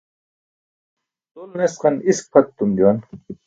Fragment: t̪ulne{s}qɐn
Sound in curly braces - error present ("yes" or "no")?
no